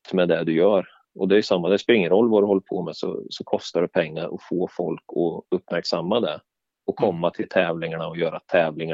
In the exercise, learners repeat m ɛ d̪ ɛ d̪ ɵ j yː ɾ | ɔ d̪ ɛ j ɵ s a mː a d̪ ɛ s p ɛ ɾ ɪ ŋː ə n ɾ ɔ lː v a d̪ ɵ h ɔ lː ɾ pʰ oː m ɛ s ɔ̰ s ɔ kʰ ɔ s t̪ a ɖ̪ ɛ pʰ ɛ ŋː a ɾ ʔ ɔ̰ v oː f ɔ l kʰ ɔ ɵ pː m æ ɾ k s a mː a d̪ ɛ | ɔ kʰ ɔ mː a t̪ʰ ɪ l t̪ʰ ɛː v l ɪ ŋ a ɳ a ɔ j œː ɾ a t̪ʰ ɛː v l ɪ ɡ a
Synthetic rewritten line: m ɛ d̪ ɛ d̪ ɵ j œː ɾ | ɔ d̪ ɛ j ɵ s a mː a d̪ ɛ s p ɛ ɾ ɪ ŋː ə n ɾ ɔ lː v a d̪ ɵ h ɔ lː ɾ pʰ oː m ɛ s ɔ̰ s ɔ kʰ ɔ s t̪ a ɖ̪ ɛ pʰ ɛ ŋː a ɾ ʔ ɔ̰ f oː f ɔ l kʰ ɔ ɵ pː m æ ɾ k s a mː a d̪ ɛ | ɔ kʰ ɔ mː a t̪ʰ ɪ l t̪ʰ ɛː v l ɪ ŋ a ɳ a ɔ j œː ɾ a t̪ʰ ɛː v l ɪ ŋ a